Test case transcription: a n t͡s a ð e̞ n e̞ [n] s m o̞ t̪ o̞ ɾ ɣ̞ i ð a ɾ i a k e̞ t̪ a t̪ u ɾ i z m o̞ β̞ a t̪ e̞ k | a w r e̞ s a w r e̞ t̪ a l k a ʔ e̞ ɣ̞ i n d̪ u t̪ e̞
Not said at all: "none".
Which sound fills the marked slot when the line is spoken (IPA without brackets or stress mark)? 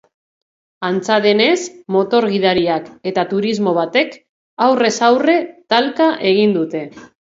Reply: none